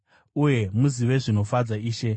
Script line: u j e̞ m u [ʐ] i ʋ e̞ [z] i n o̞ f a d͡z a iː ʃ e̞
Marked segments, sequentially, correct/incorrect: incorrect, incorrect

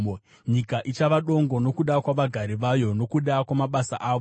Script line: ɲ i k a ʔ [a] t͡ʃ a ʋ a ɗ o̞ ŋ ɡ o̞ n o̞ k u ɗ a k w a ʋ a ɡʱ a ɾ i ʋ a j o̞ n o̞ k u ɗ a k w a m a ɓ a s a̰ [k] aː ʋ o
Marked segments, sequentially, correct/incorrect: incorrect, incorrect

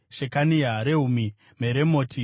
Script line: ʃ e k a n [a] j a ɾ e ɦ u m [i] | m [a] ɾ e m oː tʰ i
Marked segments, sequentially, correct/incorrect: incorrect, correct, incorrect

